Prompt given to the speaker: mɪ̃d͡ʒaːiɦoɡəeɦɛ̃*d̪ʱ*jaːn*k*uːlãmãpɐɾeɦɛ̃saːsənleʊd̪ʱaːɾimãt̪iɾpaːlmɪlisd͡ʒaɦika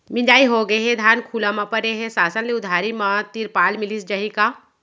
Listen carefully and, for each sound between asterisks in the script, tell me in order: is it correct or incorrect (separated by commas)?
correct, incorrect